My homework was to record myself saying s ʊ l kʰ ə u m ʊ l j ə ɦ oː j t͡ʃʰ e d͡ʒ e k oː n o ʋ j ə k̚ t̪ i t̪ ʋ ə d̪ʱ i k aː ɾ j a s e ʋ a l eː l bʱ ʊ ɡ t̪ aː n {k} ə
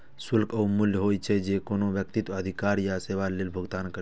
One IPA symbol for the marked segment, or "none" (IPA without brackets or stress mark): k